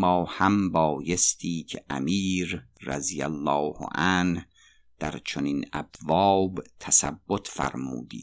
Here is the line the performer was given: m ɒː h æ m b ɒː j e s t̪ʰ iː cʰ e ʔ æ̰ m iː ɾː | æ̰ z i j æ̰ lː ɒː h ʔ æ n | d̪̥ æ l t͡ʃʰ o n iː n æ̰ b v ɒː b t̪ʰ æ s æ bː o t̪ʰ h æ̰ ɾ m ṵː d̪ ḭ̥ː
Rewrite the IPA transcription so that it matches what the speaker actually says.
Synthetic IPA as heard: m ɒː h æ m b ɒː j e s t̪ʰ iː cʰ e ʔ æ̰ m iː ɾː | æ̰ z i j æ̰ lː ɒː h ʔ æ n | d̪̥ æ ɾ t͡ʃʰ o n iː n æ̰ b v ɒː b t̪ʰ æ s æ bː o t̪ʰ f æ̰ ɾ m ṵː d̪ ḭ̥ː